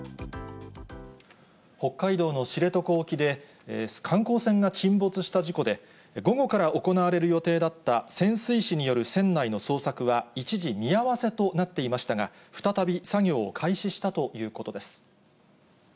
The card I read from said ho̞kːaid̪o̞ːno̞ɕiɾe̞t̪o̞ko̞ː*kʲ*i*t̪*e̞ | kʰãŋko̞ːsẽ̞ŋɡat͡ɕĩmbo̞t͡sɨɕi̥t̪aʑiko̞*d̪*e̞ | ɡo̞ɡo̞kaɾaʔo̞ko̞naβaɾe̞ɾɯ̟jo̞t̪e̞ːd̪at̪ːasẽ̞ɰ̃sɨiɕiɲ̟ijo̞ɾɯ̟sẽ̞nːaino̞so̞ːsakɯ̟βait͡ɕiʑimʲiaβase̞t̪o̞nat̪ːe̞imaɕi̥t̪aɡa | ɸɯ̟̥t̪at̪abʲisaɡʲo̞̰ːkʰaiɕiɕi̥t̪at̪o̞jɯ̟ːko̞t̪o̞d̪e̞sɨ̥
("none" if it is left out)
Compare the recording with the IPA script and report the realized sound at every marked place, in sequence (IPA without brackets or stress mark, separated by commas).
kʲ, d̪, d̪